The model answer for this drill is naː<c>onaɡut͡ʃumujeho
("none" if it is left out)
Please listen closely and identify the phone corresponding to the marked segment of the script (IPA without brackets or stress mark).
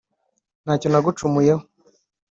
c